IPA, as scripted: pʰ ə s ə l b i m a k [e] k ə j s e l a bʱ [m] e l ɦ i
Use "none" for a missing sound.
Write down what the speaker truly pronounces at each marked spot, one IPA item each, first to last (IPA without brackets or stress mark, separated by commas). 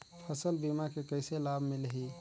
e, m